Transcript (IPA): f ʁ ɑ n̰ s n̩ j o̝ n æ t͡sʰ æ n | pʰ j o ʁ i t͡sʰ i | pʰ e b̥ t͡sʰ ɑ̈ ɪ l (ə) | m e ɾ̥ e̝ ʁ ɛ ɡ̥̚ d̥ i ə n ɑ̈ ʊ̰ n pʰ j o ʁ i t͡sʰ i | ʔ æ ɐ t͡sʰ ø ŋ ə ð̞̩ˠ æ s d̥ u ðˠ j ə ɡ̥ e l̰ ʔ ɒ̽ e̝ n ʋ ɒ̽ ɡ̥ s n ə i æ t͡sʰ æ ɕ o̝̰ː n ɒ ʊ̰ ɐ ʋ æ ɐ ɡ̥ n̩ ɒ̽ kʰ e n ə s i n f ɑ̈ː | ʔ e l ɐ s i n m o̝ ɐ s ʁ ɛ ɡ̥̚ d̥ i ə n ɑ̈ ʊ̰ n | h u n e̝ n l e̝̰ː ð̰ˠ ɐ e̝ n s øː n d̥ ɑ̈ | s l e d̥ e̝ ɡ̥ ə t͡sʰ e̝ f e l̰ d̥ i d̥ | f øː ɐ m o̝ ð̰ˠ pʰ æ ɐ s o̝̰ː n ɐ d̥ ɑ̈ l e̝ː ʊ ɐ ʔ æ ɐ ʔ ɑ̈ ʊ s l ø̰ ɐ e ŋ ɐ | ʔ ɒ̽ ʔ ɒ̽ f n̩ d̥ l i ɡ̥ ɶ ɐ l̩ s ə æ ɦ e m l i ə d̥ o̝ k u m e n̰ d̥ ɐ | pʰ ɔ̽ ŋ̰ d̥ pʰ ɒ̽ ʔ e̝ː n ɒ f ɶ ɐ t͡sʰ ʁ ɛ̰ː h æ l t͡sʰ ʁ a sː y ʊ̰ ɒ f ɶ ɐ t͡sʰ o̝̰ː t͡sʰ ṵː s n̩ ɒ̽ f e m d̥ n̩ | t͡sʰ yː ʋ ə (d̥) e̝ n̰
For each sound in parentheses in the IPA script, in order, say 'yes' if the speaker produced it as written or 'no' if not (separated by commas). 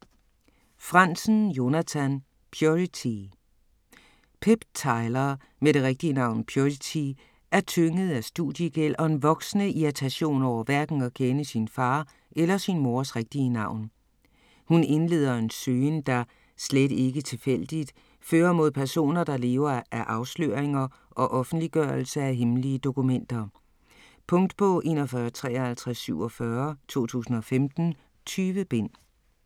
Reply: no, no